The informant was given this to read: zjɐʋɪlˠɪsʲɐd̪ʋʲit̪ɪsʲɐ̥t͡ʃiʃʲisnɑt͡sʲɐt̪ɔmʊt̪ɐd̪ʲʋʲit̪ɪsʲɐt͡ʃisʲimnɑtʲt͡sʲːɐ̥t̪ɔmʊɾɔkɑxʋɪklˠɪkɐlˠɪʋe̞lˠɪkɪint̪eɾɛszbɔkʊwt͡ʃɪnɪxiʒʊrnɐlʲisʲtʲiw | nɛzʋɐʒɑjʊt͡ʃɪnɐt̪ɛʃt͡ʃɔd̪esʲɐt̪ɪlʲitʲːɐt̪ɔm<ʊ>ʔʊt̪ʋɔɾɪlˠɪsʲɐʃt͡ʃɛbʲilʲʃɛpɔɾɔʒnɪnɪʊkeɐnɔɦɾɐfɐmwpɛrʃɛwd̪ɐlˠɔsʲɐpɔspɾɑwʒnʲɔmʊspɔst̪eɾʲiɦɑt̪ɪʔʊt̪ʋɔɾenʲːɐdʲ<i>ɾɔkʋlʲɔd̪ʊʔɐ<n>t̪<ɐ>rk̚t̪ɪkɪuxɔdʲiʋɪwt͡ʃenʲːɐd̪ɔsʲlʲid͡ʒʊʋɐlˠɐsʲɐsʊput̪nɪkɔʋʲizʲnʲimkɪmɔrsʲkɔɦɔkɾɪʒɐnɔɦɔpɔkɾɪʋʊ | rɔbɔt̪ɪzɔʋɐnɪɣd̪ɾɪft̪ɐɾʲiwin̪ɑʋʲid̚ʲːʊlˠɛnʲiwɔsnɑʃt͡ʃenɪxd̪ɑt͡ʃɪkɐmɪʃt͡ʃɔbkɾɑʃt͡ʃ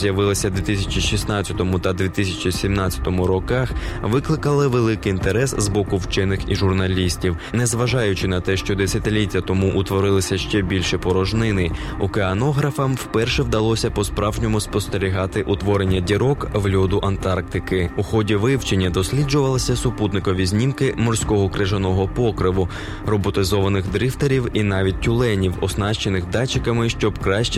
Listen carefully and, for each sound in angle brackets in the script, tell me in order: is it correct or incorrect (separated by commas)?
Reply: incorrect, correct, correct, incorrect